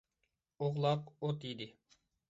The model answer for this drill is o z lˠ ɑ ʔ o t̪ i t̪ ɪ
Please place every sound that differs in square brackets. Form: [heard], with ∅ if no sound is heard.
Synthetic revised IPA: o [ʁ] lˠ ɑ [q] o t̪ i [d̪] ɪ